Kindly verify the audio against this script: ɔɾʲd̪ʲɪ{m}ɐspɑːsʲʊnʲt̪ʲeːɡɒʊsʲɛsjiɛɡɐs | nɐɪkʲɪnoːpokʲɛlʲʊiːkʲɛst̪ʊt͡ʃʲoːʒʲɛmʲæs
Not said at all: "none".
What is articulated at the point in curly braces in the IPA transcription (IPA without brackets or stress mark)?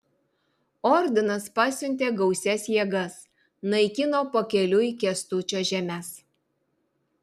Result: n